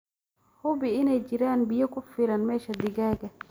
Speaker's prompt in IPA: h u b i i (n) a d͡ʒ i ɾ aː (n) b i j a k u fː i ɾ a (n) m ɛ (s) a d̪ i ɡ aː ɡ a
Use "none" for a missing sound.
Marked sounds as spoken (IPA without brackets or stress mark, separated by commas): n, n, n, ʃ